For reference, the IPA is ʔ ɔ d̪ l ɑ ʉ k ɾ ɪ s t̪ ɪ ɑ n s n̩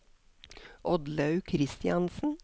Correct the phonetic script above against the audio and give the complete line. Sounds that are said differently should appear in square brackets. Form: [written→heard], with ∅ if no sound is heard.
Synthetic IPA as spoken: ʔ ɔ d̪ l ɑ ʉ [k→kʰ] ɾ ɪ s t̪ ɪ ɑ n s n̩

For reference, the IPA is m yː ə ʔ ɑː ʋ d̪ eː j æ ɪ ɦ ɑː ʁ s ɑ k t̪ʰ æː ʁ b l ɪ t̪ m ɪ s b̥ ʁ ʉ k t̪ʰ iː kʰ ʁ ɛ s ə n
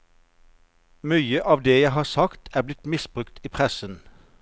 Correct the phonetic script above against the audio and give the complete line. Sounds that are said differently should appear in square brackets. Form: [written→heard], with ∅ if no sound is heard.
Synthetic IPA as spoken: m yː ə ʔ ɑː ʋ d̪ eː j æ ɪ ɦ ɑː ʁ s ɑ k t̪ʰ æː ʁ b l ɪ t̪ m ɪ s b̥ ʁ ʉ k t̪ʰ iː [kʰ→pʰ] ʁ ɛ s ə n

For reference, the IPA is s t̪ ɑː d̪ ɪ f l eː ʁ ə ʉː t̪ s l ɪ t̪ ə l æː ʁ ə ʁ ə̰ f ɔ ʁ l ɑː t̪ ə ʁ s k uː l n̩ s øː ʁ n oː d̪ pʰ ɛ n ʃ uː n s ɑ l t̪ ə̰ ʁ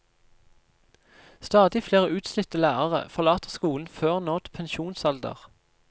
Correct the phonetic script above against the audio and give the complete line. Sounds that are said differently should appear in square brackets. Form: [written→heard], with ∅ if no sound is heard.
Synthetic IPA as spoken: s t̪ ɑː d̪ ɪ f l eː ʁ ə ʉː t̪ s l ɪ t̪ ə l æː ʁ ə ʁ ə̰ f ɔ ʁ l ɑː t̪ ə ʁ s k uː l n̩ [s→f] øː ʁ n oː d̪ pʰ ɛ n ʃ uː n s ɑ l [t̪→d̪] ə̰ ʁ

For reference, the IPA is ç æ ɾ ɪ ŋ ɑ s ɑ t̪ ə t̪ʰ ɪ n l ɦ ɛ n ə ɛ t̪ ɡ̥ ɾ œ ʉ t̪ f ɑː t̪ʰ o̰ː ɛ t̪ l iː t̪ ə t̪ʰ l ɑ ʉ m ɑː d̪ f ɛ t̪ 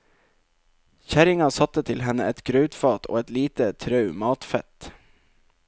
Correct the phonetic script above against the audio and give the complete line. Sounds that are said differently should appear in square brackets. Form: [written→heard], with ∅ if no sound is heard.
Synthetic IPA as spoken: ç æ ɾ ɪ ŋ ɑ s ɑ t̪ ə t̪ʰ ɪ [n→∅] l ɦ ɛ n ə ɛ t̪ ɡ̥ ɾ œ ʉ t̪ f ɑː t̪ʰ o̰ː ɛ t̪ l iː t̪ ə t̪ʰ [l→ɾ] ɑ ʉ m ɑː [d̪→t̪] f ɛ t̪

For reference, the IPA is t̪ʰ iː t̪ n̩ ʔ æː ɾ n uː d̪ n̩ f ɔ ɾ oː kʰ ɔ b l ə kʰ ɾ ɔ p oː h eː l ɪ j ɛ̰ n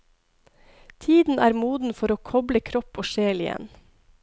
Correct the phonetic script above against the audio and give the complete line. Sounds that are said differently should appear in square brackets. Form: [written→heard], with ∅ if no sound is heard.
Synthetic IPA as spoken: t̪ʰ iː [t̪→d̪] n̩ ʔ æː ɾ [n→m] uː d̪ n̩ f ɔ ɾ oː kʰ ɔ b l ə kʰ ɾ ɔ p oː [h→ʃ] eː l ɪ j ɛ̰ n

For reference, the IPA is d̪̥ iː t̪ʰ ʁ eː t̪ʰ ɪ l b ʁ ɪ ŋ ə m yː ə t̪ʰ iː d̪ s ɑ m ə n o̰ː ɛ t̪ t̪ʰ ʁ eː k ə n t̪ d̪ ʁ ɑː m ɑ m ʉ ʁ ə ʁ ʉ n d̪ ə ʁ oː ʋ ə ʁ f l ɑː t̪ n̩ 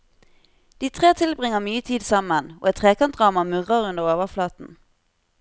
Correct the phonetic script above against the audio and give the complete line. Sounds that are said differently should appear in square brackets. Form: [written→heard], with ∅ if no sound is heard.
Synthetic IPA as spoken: d̪̥ iː t̪ʰ ʁ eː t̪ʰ ɪ l b ʁ ɪ ŋ ə m yː ə t̪ʰ iː d̪ s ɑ m ə n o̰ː ɛ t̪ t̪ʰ ʁ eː k [ə→ɑ] n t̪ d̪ ʁ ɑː m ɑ m ʉ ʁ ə ʁ ʉ n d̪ ə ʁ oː ʋ ə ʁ f l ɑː t̪ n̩

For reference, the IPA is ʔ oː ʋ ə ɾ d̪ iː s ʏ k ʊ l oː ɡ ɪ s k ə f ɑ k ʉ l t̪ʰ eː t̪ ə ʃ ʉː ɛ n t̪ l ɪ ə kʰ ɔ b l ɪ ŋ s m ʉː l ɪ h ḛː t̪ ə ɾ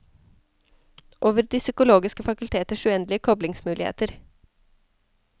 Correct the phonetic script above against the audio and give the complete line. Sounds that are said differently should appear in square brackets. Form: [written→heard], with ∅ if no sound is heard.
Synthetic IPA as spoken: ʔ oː ʋ ə ɾ d̪ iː s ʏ k ʊ l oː ɡ ɪ s k ə f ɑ k ʉ l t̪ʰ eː t̪ ə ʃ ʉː ɛ n [t̪→d̪] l ɪ ə kʰ ɔ b l ɪ ŋ s m ʉː l ɪ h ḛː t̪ ə ɾ

